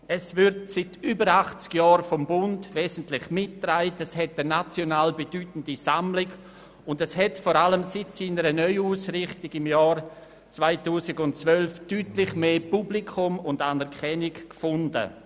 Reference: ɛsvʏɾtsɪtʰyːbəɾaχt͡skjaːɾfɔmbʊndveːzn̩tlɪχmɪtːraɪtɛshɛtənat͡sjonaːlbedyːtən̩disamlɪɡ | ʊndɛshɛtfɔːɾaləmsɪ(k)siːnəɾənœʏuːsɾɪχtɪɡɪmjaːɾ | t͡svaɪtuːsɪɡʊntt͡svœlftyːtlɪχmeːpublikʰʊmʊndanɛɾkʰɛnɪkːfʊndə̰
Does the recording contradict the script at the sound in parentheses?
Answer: yes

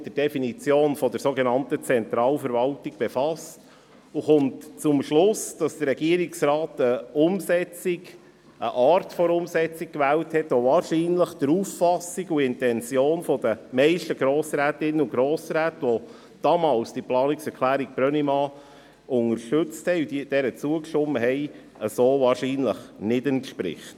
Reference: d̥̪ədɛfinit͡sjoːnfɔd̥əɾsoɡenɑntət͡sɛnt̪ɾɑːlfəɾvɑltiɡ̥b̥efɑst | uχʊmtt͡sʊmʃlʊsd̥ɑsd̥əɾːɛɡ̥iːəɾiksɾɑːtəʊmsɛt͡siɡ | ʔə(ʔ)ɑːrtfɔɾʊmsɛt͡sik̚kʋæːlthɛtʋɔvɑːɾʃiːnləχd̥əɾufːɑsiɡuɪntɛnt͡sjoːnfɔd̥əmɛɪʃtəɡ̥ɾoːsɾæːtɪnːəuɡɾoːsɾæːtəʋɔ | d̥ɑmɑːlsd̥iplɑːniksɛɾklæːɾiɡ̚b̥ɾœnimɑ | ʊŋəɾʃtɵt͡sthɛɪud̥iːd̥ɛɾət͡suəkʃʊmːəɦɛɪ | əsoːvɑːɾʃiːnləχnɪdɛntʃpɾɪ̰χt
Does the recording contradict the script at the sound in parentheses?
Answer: no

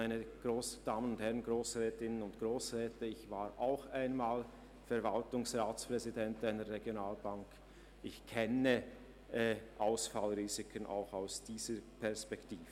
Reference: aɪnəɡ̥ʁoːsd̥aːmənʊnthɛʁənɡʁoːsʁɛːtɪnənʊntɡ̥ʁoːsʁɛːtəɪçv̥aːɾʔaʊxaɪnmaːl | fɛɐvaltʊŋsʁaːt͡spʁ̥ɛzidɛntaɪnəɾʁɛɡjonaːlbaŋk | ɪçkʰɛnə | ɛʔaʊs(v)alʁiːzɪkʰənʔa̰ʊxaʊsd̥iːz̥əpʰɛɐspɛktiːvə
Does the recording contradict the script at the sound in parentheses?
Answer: yes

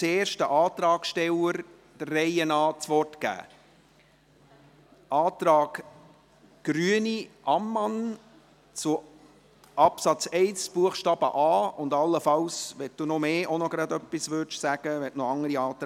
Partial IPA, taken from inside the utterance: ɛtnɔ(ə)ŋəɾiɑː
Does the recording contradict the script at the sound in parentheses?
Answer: yes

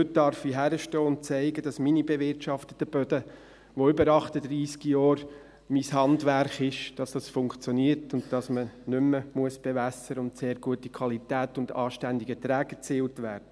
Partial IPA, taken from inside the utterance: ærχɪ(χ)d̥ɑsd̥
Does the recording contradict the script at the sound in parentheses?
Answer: yes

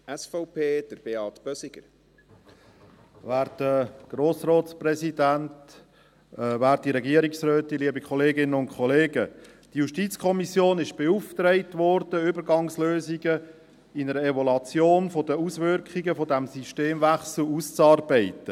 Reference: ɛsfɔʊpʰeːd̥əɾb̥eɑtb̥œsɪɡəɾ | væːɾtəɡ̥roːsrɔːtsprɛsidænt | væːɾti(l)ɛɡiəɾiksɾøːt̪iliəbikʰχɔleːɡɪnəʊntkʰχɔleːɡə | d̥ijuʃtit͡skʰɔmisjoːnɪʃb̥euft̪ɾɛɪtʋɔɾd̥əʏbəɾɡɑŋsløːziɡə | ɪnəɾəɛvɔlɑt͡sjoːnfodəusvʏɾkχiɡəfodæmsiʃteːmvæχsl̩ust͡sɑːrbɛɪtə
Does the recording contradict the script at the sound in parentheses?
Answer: yes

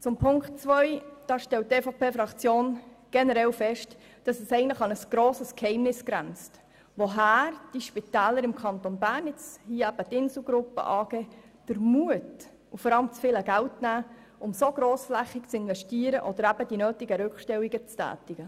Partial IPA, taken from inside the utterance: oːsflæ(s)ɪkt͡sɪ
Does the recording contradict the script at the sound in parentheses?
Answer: yes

